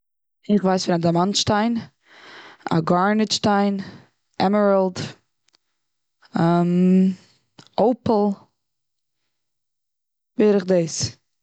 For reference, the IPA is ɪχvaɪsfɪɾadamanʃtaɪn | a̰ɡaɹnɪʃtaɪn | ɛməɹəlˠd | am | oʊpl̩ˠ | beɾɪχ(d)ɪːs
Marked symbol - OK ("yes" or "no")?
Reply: yes